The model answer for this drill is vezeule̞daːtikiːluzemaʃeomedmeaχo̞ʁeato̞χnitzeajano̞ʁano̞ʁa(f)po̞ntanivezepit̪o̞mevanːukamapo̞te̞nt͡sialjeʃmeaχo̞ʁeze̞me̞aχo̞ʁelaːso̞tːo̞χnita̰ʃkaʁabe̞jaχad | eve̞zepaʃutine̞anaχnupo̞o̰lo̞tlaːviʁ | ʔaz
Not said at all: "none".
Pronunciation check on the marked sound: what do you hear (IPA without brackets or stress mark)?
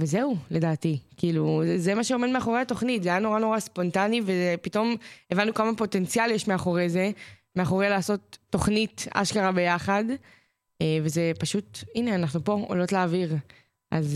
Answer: s